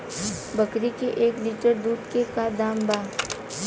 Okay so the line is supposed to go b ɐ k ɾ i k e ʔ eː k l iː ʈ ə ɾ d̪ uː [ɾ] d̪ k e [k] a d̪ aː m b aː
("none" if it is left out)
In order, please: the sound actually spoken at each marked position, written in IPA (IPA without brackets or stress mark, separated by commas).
none, k